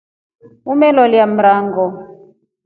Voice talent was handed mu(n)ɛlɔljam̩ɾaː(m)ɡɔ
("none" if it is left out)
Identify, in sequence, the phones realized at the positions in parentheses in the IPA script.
m, ŋ

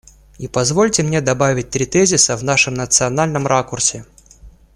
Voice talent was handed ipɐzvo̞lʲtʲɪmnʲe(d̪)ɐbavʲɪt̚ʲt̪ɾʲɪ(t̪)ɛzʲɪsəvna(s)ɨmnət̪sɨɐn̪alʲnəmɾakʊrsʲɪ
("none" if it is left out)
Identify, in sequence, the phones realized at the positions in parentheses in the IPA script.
d̪, t̪, ʂ

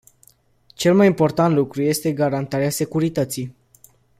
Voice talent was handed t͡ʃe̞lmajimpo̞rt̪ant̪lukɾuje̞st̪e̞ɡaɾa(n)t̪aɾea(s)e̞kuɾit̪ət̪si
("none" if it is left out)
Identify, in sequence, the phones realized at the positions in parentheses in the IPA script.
n, s

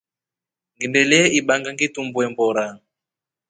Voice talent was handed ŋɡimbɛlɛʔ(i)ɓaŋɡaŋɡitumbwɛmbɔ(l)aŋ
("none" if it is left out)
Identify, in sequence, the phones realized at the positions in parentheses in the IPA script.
i, ɾ

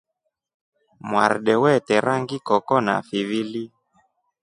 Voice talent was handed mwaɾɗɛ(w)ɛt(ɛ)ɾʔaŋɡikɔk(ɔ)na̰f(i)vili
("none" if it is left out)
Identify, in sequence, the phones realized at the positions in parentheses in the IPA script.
w, ɛ, ɔ, i

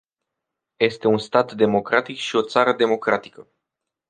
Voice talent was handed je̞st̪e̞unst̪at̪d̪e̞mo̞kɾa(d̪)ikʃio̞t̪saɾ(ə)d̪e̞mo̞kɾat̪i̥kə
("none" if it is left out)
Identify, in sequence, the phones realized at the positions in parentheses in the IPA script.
t̪, ə

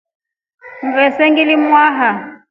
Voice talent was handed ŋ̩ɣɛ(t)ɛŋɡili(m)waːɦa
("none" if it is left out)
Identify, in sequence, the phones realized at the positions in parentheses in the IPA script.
s, m

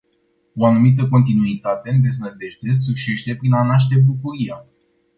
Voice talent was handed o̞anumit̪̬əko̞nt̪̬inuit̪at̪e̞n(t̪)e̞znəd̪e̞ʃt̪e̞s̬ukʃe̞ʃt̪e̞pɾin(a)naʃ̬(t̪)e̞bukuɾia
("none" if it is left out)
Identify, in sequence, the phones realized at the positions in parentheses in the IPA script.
d̪, a, t̪

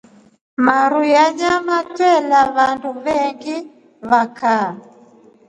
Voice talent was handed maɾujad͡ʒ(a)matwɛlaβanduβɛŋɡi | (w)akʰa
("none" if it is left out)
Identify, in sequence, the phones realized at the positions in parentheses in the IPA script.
a, β

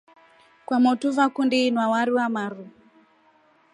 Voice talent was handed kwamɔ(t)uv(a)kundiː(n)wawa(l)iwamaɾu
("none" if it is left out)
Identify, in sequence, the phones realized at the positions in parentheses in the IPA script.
t, a, n, ɾ

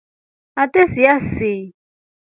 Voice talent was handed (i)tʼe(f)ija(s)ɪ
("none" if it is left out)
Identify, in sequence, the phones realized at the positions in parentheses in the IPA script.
a, s, s

